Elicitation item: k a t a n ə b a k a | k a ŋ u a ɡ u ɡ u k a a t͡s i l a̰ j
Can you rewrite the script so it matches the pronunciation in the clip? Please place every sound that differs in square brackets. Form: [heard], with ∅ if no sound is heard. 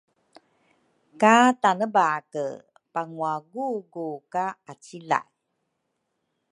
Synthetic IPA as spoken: k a t a n ə b a k [ə] | [p] a ŋ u a ɡ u ɡ u k a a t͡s i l a̰ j